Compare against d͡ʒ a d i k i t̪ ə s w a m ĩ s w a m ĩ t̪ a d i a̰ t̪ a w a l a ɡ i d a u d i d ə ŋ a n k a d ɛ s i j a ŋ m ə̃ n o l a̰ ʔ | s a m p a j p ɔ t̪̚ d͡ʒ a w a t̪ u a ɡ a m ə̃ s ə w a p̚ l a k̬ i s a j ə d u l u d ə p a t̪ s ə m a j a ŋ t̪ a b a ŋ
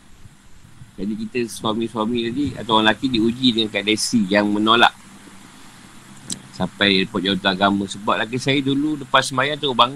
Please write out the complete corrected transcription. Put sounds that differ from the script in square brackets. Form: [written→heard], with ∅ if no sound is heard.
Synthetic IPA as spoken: d͡ʒ a d i k i t̪ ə s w a m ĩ s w a m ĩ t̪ a d i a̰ t̪ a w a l a [ɡ→k] i d [a→i] u [d→d͡ʒ] i d ə ŋ a n k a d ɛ s i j a ŋ m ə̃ n o l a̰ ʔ | s a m p a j p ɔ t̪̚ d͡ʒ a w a t̪ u a ɡ a m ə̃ s ə [w→b] a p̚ l a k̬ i s a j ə d u l u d ə p a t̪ s ə m a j a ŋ t̪ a b a ŋ